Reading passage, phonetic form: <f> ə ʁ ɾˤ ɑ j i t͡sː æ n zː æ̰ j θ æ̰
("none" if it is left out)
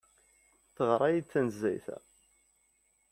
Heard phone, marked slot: θ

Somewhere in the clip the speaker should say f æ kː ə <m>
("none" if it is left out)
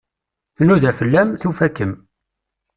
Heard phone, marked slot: m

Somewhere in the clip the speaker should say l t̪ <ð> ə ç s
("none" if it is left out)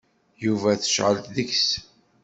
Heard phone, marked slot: ð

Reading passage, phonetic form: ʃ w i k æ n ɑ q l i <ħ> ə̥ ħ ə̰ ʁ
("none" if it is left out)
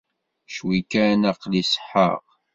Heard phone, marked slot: s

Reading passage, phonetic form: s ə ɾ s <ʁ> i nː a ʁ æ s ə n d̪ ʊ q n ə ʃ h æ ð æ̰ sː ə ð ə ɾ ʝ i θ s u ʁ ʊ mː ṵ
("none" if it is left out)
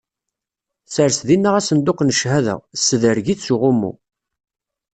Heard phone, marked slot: ð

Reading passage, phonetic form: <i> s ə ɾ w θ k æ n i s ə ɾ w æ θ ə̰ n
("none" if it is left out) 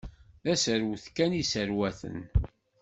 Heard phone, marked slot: æ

